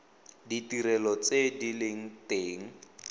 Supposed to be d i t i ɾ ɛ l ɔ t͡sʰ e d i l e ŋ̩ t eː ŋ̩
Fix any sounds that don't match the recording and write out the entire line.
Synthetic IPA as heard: d i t i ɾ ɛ l ɔ t͡s e d i l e ŋ̩ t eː ŋ̩